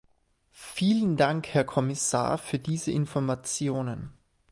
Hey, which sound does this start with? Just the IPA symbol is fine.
f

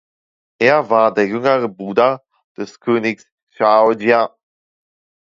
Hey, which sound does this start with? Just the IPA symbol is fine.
ʔ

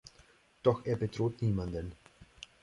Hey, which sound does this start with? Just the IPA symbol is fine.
d̥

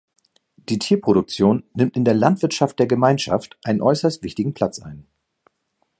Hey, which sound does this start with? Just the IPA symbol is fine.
d̥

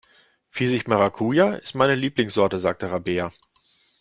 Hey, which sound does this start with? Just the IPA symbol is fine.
f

